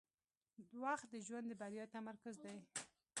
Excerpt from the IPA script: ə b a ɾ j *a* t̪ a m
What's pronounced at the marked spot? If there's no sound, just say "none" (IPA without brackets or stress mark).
ɑ